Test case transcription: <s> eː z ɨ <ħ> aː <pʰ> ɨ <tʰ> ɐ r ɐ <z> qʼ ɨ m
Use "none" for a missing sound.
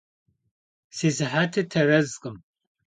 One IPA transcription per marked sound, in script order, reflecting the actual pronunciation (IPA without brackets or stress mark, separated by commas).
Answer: s, ħ, tʰ, tʰ, z